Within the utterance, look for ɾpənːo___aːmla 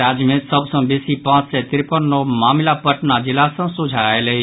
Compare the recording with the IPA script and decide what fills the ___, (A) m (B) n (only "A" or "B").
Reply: A